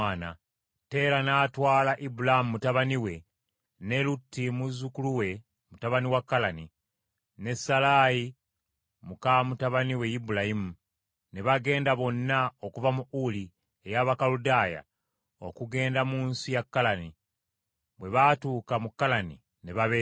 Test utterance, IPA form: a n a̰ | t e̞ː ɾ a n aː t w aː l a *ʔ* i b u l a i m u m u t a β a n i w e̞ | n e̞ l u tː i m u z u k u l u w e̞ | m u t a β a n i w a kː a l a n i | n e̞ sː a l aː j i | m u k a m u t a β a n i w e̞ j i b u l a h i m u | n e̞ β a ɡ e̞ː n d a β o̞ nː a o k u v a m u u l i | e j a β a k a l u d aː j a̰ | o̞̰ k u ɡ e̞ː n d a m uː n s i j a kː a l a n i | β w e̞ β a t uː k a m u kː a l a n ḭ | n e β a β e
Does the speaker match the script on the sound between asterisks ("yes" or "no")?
yes